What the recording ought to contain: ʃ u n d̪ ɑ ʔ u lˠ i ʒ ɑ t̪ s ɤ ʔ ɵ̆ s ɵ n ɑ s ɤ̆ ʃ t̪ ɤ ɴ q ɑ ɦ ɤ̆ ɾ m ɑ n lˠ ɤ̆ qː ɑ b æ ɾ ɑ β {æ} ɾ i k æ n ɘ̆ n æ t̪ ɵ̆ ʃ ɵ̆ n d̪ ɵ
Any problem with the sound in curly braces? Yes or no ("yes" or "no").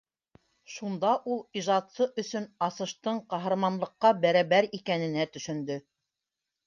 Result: no